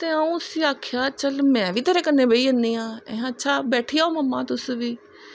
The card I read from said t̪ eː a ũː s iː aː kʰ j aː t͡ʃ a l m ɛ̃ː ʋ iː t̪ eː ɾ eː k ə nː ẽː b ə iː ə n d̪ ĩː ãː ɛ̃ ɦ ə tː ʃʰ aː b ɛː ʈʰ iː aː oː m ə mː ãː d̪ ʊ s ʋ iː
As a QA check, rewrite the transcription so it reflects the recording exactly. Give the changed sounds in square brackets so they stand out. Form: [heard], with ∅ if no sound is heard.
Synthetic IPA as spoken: t̪ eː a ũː s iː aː kʰ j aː t͡ʃ [ə] l m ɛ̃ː ʋ iː t̪ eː ɾ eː k ə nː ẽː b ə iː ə n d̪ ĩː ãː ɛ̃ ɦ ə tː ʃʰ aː b ɛː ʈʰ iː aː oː m ə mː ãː [t̪] ʊ s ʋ iː